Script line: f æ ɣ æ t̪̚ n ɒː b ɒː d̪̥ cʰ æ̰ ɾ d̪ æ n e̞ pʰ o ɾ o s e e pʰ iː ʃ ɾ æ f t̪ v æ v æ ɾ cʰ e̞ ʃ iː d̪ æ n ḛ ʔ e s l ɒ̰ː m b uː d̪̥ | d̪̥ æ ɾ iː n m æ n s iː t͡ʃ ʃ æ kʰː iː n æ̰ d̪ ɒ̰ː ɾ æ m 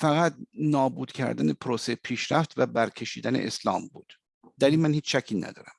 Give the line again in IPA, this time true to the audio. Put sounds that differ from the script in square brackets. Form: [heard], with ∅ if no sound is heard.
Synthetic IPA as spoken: f æ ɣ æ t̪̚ n ɒː b [uː] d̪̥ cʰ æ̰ ɾ d̪ æ n e̞ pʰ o ɾ o s e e pʰ iː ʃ ɾ æ f t̪ v æ [b] æ ɾ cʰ e̞ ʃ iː d̪ æ n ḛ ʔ e s l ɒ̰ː m b uː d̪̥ | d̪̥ æ ɾ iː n m æ n [h] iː t͡ʃ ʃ æ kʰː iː n æ̰ d̪ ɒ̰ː ɾ æ m